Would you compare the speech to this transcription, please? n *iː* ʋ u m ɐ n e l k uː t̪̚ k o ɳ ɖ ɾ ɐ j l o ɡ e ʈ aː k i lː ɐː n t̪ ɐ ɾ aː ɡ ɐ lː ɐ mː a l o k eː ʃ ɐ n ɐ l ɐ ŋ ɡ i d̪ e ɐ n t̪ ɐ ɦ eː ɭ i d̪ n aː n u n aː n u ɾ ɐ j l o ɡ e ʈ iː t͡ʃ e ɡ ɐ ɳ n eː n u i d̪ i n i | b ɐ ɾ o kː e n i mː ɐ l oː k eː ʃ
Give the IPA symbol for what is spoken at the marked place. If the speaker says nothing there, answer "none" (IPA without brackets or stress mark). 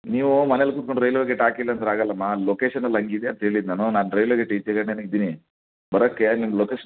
iː